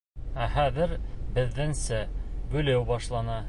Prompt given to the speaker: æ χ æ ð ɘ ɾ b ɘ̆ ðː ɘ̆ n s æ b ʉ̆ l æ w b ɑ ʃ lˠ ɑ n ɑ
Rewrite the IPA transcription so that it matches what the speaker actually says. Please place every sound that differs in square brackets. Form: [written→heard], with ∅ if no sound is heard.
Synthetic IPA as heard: æ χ æ ð ɘ ɾ b ɘ̆ ðː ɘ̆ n s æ b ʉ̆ l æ w b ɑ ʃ lˠ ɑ n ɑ